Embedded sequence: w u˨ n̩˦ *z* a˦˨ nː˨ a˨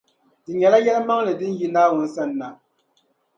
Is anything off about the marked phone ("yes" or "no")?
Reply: yes